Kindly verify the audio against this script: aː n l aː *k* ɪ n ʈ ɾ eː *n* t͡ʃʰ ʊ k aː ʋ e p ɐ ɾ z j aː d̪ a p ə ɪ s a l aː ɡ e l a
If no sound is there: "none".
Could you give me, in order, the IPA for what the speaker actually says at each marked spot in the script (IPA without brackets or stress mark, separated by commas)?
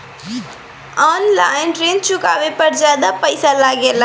none, n